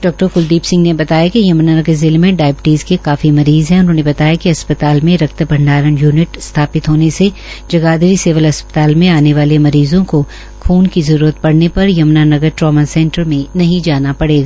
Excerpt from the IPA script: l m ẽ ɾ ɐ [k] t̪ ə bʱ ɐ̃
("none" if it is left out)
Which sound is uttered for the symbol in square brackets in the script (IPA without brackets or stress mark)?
k